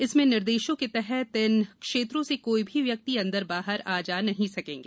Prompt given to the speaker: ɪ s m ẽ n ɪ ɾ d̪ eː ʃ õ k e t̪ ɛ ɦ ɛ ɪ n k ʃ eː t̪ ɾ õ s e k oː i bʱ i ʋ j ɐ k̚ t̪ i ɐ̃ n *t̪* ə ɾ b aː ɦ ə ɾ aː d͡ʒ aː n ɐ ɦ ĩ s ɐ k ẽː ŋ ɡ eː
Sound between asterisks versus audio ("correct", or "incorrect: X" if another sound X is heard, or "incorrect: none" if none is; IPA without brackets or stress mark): incorrect: d̪